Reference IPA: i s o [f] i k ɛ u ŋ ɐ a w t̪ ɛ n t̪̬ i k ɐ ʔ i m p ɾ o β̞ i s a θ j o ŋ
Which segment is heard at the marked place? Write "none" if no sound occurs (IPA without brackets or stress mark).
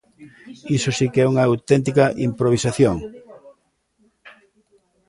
s